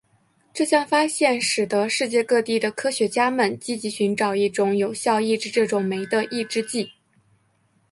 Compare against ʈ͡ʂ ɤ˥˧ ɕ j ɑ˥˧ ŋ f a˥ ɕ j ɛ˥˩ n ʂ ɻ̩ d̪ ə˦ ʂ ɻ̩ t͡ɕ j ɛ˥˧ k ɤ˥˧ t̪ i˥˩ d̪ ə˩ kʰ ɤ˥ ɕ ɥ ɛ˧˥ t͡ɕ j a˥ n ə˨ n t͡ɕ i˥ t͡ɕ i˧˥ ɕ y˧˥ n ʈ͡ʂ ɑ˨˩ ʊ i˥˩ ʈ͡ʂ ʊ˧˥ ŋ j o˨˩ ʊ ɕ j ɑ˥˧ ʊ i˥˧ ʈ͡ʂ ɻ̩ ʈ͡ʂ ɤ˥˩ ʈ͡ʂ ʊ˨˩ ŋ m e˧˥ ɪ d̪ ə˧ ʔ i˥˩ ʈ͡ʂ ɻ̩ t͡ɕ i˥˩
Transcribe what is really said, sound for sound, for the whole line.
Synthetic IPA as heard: ʈ͡ʂ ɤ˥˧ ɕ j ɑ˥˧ ŋ f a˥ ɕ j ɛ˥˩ n ʂ ɻ̩ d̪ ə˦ ʂ ɻ̩ t͡ɕ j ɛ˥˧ k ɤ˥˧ t̪ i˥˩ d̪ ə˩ kʰ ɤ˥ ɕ ɥ ɛ˧˥ t͡ɕ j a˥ m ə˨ n t͡ɕ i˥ t͡ɕ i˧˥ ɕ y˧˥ n ʈ͡ʂ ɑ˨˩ ʊ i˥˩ ʈ͡ʂ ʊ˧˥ ŋ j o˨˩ ʊ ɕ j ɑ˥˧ ʊ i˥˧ ʈ͡ʂ ɻ̩ ʈ͡ʂ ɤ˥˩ ʈ͡ʂ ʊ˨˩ ŋ m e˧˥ ɪ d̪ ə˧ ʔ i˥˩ ʈ͡ʂ ɻ̩ t͡ɕ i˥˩

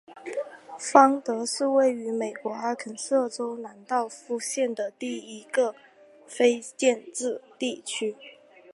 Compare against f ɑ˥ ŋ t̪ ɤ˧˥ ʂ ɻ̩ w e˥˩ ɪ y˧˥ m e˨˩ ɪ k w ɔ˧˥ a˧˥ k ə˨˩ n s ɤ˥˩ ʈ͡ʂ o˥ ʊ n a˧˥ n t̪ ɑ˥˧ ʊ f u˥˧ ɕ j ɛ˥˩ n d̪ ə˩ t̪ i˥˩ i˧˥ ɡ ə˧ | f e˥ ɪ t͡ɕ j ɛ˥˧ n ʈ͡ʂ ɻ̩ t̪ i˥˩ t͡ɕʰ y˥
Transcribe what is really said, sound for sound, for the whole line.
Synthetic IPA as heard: f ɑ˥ ŋ t̪ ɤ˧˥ ʂ ɻ̩ w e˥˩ ɪ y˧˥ m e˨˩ ɪ k w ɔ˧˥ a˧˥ kʰ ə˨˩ n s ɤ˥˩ ʈ͡ʂ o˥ ʊ n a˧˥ n t̪ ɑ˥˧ ʊ f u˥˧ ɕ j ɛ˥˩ n d̪ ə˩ t̪ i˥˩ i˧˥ ɡ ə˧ | f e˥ ɪ t͡ɕ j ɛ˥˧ n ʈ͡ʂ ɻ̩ t̪ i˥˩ t͡ɕʰ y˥

